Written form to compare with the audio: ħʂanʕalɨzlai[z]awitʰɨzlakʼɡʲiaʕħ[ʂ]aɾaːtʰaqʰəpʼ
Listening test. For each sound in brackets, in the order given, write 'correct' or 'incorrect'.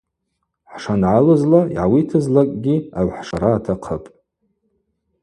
incorrect: ʕ, correct

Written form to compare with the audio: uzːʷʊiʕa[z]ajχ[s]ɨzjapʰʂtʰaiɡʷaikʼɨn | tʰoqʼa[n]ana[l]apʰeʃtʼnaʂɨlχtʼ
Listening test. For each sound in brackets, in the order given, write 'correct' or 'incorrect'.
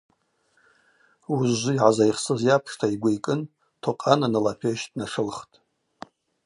correct, correct, correct, correct

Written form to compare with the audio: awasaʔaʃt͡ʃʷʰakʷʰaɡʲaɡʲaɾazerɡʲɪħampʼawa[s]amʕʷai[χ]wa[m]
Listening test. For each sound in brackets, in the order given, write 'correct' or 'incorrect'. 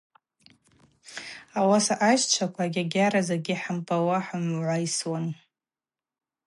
incorrect: ħ, incorrect: s, incorrect: n

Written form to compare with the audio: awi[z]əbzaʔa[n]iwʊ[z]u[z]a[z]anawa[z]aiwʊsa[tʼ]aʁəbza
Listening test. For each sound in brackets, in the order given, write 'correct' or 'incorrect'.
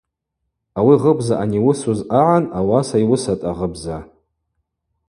incorrect: ʁ, correct, incorrect: s, correct, incorrect: ʕ, incorrect: s, correct

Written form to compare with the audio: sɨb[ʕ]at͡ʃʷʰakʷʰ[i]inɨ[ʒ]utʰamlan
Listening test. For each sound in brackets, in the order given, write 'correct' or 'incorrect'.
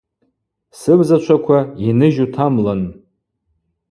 incorrect: z, incorrect: a, correct

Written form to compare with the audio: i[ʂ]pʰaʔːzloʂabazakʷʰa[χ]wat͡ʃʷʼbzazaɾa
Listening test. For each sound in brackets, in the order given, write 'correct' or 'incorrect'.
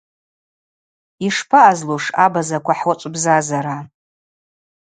correct, incorrect: ħ

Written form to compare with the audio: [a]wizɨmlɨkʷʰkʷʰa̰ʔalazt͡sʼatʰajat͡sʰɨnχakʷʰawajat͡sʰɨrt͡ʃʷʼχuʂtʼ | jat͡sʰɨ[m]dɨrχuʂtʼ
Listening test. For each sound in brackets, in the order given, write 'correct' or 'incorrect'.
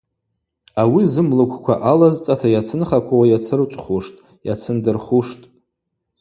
correct, incorrect: n

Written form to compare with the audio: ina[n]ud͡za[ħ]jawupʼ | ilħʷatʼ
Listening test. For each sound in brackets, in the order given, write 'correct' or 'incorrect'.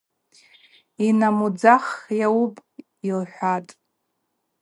incorrect: m, incorrect: χ

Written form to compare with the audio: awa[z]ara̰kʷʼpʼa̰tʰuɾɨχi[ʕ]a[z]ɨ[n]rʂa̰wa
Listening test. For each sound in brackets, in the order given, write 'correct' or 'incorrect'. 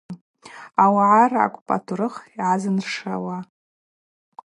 incorrect: ʕ, correct, correct, correct

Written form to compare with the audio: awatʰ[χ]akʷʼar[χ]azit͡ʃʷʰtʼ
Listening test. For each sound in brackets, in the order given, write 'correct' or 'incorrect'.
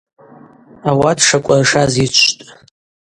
incorrect: ʂ, incorrect: ʂ

